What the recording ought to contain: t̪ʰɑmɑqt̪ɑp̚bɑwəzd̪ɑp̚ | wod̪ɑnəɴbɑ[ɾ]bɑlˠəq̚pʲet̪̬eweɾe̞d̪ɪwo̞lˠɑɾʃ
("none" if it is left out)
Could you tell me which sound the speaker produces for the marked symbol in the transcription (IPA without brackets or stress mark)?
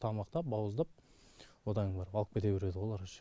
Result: ɾ